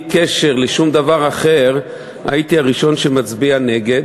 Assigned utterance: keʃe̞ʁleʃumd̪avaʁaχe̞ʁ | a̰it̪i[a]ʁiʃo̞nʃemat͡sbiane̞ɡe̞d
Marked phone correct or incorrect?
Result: correct